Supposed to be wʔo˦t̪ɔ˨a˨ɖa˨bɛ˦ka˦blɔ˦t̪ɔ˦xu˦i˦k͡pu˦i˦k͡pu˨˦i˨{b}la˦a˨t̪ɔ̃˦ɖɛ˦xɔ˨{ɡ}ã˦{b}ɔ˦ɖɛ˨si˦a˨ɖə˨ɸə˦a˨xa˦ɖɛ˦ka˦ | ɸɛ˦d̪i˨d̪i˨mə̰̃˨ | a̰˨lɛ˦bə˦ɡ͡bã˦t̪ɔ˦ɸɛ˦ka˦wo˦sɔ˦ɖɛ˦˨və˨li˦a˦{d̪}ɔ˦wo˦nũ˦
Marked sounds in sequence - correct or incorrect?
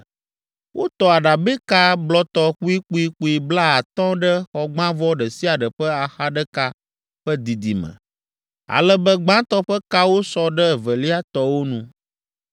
correct, incorrect, incorrect, incorrect

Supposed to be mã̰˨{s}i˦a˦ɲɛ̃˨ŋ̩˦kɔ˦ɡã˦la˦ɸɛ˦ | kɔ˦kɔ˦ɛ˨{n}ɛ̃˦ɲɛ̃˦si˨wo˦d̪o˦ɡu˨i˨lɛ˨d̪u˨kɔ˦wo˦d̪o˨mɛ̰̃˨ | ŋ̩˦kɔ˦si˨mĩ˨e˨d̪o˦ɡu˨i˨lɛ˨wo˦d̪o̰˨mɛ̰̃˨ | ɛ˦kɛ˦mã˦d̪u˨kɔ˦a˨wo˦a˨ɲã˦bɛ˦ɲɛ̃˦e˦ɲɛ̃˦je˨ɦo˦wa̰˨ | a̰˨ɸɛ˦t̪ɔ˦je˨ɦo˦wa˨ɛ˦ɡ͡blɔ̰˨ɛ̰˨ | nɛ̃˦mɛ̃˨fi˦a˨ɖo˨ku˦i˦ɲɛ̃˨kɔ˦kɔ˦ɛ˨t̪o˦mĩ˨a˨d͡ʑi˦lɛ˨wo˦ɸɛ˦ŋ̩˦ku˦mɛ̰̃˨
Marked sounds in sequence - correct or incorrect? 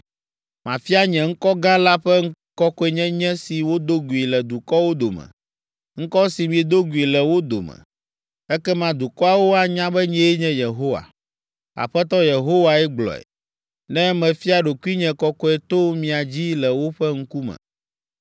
incorrect, incorrect

